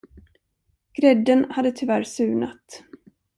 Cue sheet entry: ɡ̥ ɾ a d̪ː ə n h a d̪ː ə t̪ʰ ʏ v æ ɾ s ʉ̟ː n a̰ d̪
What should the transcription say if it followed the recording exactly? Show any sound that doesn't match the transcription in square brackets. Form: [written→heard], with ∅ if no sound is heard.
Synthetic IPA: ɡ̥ ɾ [a→ɛ] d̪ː ə n h a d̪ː ə t̪ʰ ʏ v æ ɾ s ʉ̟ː n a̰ [d̪→t̪]